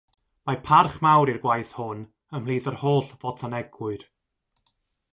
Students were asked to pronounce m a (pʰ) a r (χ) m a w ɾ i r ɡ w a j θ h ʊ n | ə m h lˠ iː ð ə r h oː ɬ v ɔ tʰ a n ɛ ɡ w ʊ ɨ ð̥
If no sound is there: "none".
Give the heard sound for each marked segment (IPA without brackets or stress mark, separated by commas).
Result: pʰ, χ